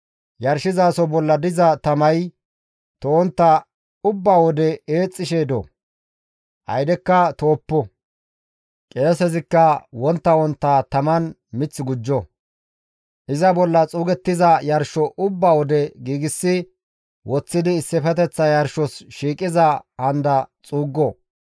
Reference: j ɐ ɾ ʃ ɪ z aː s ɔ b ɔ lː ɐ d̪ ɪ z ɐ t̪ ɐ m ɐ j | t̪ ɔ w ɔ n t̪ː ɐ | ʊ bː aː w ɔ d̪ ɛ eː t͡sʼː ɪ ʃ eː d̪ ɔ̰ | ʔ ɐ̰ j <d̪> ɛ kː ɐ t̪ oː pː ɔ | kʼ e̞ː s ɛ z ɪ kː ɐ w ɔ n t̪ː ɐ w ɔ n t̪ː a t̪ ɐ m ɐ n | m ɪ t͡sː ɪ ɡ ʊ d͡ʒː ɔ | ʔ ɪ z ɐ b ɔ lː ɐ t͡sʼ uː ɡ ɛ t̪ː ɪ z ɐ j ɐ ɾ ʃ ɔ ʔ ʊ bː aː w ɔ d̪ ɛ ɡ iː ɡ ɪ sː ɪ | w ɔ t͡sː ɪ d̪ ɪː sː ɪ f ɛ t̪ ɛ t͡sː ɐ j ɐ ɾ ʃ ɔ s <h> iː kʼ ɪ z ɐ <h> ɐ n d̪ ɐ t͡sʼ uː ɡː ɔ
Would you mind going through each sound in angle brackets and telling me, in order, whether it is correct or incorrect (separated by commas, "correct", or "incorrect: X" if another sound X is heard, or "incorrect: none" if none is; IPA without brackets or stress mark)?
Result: correct, incorrect: ʃ, correct